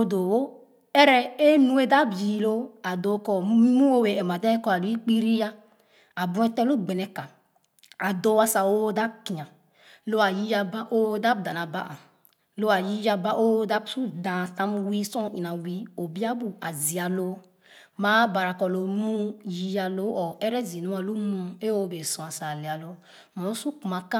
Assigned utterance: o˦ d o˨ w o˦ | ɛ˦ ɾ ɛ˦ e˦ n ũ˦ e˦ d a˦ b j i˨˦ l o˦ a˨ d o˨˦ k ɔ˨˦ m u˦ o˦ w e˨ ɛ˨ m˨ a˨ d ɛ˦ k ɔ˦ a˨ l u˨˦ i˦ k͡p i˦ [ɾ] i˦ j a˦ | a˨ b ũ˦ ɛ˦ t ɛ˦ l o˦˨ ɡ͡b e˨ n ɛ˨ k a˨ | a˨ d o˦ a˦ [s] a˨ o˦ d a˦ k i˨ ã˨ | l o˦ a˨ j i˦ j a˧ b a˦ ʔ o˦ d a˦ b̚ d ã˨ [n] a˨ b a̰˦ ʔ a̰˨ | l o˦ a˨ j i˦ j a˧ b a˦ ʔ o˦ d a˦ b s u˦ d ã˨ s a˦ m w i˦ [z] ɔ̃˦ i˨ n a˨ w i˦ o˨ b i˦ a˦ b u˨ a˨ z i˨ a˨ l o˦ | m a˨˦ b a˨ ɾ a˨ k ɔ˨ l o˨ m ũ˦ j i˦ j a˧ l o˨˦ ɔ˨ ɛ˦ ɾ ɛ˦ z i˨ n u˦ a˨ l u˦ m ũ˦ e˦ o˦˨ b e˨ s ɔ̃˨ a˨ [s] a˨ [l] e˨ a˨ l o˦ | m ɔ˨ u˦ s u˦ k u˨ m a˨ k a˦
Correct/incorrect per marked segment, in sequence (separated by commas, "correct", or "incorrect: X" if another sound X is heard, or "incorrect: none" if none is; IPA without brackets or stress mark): correct, correct, correct, incorrect: s, correct, correct